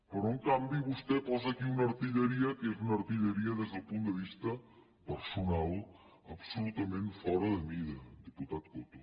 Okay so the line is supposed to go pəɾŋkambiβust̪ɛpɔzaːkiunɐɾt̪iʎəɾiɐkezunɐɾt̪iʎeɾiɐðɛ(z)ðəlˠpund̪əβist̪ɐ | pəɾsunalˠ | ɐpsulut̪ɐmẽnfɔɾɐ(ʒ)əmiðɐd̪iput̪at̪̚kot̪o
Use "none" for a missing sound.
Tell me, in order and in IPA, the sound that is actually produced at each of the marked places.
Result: z, ð

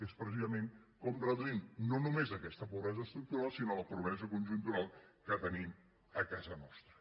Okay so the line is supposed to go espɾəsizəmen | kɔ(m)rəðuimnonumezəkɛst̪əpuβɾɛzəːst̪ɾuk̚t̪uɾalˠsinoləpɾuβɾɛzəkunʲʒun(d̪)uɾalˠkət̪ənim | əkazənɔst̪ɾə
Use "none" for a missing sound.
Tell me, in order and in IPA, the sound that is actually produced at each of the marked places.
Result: m, t̪

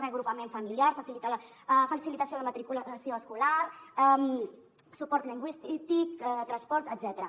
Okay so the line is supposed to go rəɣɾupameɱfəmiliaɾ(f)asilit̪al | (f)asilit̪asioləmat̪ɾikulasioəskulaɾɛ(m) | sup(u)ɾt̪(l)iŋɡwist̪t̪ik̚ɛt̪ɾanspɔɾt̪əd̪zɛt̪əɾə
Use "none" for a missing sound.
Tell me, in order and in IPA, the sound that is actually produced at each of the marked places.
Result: f, f, m, ɔ, l

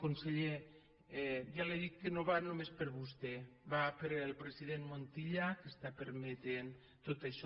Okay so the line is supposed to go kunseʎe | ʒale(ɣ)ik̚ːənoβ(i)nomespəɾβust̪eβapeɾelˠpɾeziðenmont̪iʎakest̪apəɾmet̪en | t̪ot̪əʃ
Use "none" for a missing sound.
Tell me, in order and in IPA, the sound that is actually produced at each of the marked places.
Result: ð, a

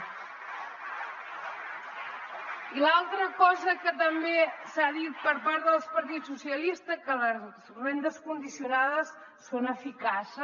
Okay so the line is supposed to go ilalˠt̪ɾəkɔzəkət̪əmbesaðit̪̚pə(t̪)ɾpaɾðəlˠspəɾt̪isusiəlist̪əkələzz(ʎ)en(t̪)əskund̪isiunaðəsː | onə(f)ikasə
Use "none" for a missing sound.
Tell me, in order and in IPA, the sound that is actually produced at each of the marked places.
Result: none, r, d̪, f

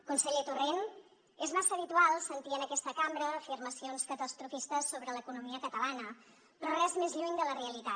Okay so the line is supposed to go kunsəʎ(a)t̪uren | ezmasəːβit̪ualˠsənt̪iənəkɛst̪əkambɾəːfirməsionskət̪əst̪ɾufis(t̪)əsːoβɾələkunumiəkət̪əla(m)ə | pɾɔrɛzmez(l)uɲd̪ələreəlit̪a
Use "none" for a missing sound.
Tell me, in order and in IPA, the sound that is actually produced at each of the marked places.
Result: e, t̪, n, ʎ

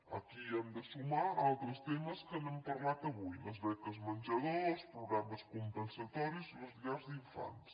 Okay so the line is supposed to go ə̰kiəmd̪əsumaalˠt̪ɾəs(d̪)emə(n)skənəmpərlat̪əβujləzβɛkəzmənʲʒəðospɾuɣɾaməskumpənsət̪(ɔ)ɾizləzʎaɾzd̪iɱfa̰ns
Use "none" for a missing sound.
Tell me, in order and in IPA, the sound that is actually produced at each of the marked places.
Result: t̪, none, ɔ

